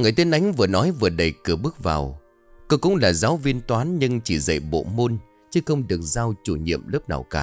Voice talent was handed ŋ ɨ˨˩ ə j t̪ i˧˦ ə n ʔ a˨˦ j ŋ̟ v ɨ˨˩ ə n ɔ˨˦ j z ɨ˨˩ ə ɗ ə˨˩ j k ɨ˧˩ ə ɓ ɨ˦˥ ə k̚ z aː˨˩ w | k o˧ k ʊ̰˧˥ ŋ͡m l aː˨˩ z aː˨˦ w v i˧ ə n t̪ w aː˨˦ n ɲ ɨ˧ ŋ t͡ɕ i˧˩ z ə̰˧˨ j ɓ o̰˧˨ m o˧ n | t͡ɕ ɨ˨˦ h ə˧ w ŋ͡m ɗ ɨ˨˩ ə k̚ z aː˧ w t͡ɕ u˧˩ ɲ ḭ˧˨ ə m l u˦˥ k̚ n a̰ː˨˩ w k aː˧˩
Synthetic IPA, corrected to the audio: ŋ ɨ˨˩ ə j t̪ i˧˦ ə n ʔ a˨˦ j ŋ̟ v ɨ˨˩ ə n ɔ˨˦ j v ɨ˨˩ ə ɗ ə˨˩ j k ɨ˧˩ ə ɓ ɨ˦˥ ə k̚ v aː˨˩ w | k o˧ k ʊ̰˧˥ ŋ͡m l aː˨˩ z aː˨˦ w v i˧ ə n t̪ w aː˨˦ n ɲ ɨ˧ ŋ t͡ɕ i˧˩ z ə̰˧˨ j ɓ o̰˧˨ m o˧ n | t͡ɕ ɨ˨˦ x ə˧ w ŋ͡m ɗ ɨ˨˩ ə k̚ z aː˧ w t͡ɕ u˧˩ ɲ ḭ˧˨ ə m l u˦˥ p̚ n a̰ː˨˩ w k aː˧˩